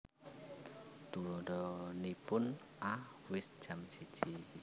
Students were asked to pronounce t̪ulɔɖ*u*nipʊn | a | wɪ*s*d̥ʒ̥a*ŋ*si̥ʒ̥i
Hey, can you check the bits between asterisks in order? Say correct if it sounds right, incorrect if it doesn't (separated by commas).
incorrect, correct, incorrect